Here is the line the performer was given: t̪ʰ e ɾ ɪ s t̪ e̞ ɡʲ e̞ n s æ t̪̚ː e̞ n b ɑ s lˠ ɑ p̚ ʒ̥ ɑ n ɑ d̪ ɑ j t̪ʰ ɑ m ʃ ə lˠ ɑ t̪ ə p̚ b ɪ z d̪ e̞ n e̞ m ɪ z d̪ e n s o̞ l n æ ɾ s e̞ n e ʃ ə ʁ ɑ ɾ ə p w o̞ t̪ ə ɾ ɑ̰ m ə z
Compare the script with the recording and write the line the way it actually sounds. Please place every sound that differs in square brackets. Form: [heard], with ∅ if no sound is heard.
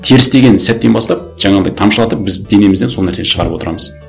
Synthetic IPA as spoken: t̪ʰ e ɾ ɪ s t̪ e̞ ɡʲ e̞ n s æ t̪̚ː e̞ n b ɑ s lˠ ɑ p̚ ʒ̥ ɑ [ɴ] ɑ d̪ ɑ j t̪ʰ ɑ m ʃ ə lˠ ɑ t̪ ə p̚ b ɪ z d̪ e̞ n e̞ m ɪ z d̪ e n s o̞ l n æ ɾ s e̞ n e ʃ ə ʁ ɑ ɾ ə p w o̞ t̪ ə ɾ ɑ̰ m ə z